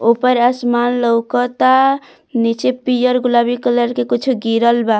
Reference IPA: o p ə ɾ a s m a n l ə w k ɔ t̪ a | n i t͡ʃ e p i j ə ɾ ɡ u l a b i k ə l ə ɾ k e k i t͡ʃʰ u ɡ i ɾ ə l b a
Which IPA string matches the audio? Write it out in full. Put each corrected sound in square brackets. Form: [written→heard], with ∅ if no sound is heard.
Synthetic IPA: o p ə ɾ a s m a n l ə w k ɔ t̪ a | n i t͡ʃ e p i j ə ɾ ɡ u l a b i k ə l ə ɾ k e k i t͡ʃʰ u ɡ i ɾ ə l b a